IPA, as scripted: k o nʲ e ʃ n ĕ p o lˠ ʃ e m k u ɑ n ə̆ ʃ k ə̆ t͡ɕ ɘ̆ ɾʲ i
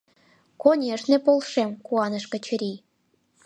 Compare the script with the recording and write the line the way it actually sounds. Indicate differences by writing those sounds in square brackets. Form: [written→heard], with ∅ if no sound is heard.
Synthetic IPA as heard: k o nʲ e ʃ n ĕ p o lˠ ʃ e m k u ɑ n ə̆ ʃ k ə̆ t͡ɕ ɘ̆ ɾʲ i